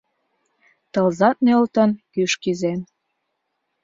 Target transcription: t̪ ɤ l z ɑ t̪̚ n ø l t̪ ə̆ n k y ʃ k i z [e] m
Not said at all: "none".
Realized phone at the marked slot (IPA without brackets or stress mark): e